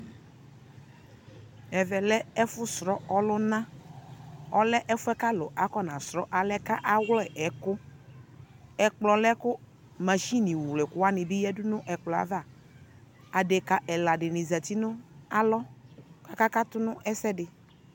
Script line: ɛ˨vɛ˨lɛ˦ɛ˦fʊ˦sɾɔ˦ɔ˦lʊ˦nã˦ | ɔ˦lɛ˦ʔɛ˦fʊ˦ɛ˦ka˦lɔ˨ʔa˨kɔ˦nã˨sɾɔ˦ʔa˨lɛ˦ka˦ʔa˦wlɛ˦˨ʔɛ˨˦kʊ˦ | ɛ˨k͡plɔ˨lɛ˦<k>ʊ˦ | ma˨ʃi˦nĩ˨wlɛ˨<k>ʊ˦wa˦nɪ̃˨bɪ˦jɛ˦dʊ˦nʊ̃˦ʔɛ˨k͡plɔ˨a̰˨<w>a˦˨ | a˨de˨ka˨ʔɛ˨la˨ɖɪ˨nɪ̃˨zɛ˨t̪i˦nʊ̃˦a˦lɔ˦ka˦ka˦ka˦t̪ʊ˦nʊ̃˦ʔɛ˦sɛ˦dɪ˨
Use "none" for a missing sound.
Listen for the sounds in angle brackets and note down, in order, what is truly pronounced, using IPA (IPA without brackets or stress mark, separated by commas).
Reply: k, k, v